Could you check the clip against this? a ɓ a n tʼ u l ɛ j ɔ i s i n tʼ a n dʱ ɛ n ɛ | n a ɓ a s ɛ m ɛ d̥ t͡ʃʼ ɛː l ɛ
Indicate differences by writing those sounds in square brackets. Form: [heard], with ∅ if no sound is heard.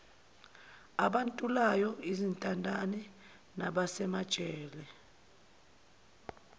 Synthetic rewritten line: a ɓ a n tʼ u l [a] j ɔ i [z] i n tʼ a n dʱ [a] n ɛ | n a ɓ a s ɛ m [a] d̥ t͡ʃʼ ɛː l ɛ